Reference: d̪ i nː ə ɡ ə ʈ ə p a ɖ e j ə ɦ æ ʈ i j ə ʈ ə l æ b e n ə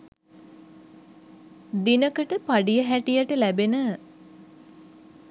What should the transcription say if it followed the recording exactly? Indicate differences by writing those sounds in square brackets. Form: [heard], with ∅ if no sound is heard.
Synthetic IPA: d̪ i [n] ə [k] ə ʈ ə p a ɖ [i] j ə ɦ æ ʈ i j ə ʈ ə l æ b e n ə